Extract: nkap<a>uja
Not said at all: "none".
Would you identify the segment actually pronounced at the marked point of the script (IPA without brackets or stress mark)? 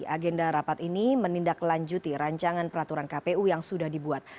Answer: e